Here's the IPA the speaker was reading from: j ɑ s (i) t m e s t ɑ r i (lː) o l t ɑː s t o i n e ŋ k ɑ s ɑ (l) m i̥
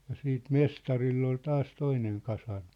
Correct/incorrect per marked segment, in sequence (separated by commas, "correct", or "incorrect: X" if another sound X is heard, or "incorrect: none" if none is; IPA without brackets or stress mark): incorrect: iː, correct, incorrect: r